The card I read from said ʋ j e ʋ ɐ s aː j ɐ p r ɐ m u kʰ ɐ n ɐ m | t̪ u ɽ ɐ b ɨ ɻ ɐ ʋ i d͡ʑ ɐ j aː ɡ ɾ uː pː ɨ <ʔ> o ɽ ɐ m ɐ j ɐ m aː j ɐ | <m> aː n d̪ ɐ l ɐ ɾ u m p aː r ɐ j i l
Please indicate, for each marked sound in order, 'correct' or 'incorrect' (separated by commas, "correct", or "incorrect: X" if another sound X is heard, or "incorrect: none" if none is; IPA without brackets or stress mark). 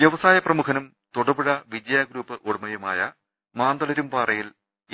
correct, correct